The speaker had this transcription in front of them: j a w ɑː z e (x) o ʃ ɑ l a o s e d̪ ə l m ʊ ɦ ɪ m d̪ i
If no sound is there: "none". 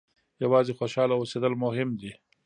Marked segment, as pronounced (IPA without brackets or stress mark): x